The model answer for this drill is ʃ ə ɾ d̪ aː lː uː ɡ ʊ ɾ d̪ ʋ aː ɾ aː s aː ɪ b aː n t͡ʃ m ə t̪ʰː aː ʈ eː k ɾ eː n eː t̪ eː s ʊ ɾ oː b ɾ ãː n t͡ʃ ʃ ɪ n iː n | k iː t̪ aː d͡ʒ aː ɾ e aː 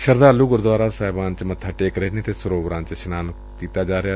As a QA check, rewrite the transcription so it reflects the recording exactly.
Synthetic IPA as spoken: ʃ ə ɾ d̪ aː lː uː ɡ ʊ ɾ d̪ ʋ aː ɾ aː s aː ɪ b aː n t͡ʃ m ə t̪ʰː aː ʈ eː k ɾ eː n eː t̪ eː s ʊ ɾ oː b ɾ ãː n t͡ʃ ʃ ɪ n aː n | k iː t̪ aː d͡ʒ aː ɾ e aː